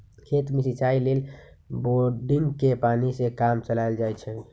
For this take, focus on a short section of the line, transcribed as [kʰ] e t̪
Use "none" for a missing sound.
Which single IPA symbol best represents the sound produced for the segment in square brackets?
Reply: kʰ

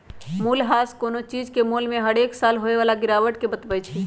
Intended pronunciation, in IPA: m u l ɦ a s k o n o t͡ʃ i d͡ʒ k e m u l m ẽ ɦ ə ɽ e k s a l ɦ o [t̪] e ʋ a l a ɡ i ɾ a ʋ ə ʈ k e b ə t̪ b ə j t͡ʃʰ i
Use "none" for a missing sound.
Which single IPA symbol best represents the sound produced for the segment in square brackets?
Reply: none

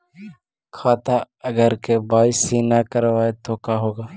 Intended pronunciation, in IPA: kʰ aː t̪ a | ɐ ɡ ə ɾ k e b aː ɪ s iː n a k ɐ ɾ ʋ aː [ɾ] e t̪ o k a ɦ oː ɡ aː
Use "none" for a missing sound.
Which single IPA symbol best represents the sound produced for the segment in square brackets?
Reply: none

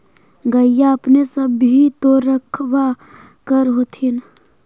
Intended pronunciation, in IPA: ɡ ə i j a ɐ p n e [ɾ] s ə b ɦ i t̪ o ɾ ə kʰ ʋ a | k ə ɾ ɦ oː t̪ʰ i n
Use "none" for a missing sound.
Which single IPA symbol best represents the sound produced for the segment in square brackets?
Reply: none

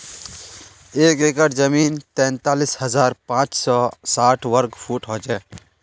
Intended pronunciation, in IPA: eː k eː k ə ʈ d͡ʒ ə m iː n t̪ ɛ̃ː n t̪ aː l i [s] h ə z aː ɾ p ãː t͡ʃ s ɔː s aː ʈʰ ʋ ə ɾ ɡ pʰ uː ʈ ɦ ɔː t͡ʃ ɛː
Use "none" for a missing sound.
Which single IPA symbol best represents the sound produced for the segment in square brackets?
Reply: s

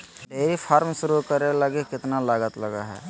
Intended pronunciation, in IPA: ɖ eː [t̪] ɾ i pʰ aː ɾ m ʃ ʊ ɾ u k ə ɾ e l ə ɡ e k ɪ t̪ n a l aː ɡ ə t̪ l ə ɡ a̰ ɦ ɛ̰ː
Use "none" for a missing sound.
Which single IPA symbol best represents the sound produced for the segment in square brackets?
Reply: none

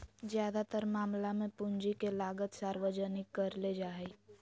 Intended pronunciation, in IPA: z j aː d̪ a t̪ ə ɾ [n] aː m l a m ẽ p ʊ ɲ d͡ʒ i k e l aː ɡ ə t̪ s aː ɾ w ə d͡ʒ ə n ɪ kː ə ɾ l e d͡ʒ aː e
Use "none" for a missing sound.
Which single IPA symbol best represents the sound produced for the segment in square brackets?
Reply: m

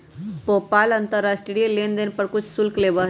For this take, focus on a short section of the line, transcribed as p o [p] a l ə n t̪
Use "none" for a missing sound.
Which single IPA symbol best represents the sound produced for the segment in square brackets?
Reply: p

